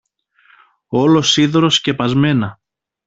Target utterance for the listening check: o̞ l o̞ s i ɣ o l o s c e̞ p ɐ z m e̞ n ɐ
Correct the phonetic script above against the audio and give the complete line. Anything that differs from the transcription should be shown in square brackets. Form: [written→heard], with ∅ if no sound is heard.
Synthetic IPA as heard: o̞ l o̞ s i [ɣ→ð] o [l→ɾ] o s c e̞ p ɐ z m e̞ n ɐ